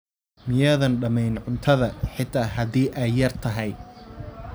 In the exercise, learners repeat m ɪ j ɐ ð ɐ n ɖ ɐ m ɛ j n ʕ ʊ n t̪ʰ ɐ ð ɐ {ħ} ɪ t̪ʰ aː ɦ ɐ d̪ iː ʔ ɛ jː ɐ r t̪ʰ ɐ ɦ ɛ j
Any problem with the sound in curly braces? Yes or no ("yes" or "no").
no